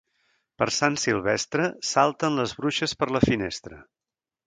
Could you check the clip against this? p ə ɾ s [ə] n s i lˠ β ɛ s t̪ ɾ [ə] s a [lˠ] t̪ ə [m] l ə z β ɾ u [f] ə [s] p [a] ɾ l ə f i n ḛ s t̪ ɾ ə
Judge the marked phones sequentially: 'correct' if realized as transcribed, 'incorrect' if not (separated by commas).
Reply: incorrect, correct, correct, incorrect, incorrect, correct, incorrect